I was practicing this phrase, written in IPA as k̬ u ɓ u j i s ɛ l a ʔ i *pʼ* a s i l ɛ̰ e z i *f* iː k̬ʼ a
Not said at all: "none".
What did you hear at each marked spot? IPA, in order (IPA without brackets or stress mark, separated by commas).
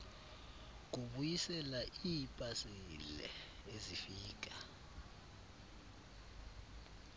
pʼ, f